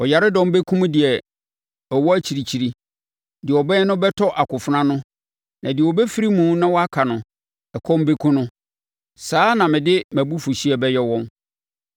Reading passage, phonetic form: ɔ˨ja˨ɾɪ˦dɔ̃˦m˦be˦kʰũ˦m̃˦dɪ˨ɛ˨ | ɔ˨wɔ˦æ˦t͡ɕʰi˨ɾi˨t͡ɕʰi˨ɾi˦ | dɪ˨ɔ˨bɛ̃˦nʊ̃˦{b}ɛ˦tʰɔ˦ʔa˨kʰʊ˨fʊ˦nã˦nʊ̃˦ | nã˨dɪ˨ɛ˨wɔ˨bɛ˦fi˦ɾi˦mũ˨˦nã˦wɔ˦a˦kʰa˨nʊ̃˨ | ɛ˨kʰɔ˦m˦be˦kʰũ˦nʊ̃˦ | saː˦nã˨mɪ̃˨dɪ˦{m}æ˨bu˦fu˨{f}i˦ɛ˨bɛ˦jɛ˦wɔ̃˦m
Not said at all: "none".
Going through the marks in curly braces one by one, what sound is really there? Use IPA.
b, m, ɕ

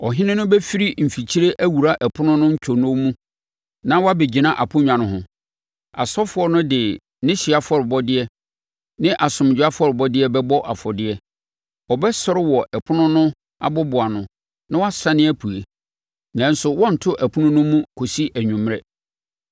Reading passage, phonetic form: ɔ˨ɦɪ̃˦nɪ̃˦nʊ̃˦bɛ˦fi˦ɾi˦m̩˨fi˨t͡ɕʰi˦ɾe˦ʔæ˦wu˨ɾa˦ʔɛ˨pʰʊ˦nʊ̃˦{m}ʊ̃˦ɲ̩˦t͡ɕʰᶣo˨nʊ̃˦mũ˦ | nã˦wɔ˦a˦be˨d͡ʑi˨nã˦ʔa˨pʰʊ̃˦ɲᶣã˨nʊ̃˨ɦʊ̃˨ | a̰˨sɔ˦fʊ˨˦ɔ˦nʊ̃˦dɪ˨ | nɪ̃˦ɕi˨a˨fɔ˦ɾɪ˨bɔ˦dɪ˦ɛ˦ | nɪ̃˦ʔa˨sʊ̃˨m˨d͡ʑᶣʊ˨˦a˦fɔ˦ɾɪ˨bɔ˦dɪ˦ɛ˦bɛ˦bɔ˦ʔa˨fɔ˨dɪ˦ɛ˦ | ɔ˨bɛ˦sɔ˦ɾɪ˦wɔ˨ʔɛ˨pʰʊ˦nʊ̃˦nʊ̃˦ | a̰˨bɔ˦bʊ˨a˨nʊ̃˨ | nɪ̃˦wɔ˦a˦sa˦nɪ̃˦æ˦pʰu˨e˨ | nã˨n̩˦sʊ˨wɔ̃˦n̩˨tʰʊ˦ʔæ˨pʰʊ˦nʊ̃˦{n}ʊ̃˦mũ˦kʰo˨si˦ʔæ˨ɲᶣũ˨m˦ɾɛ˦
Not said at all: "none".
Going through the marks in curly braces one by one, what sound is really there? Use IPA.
n, n

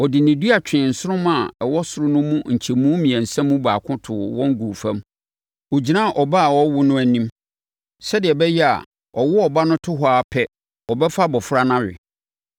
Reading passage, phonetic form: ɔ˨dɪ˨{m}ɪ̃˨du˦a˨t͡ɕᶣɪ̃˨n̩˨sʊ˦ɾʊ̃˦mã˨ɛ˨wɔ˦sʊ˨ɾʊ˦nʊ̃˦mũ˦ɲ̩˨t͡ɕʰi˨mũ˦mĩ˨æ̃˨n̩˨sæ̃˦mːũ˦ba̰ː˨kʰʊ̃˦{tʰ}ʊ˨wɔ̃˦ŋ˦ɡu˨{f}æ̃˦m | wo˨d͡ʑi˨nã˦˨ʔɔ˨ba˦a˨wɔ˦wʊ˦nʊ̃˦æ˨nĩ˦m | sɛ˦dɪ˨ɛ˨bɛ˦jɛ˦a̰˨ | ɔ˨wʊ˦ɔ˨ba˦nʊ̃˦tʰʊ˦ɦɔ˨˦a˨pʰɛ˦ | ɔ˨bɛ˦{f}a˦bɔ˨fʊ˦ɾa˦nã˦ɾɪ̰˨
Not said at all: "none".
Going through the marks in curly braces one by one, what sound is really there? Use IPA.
n, tʰ, f, f

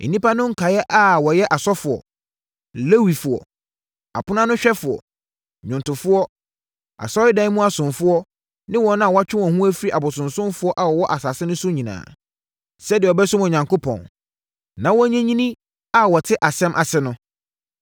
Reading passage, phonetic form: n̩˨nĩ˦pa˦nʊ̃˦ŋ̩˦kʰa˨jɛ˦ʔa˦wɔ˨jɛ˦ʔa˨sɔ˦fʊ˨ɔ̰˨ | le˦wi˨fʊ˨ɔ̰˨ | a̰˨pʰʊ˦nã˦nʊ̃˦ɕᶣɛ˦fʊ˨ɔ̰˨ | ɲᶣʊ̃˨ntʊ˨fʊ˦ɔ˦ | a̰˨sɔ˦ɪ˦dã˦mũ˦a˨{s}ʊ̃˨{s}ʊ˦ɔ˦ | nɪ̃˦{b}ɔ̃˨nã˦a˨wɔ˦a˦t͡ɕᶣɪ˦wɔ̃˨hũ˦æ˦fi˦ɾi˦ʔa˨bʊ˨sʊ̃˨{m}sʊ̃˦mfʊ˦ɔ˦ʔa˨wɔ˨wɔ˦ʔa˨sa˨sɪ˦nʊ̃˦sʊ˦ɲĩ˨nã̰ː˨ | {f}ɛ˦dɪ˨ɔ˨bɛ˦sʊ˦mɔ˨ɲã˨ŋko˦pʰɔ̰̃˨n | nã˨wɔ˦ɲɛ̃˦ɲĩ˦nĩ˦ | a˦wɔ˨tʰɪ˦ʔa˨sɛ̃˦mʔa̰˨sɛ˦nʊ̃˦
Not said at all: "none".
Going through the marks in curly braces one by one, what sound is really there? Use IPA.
s, f, w, n, s

